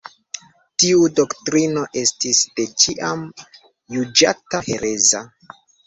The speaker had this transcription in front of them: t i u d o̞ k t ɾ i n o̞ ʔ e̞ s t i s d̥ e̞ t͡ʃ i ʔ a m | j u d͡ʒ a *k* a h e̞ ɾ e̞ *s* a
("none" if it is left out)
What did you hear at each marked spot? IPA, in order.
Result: t, z

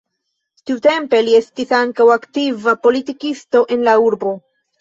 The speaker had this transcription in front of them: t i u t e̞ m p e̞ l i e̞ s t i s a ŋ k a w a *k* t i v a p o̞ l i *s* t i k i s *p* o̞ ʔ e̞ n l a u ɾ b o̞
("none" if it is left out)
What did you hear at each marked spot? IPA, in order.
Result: k, none, t

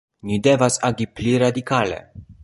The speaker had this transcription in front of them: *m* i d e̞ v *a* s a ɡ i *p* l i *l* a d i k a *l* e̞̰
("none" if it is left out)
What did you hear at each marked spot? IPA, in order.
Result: n, a, p, ɾ, l

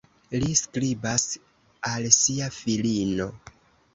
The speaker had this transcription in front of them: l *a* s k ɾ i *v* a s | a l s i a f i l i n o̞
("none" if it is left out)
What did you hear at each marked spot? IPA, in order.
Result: i, b

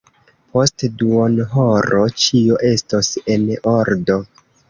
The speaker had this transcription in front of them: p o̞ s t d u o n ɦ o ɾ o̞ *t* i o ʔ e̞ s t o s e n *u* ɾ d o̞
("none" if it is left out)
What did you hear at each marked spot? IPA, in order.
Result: t͡ʃ, o

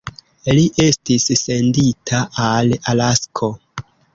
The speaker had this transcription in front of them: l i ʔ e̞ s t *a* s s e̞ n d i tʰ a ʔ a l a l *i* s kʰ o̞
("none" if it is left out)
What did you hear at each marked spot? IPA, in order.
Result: i, a

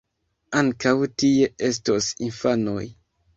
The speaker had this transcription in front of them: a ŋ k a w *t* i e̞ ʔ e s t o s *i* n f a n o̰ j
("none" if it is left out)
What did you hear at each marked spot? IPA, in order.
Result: t, i

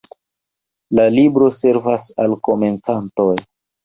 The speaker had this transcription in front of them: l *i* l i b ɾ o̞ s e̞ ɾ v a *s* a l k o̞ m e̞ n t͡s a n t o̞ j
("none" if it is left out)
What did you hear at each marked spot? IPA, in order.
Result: a, s

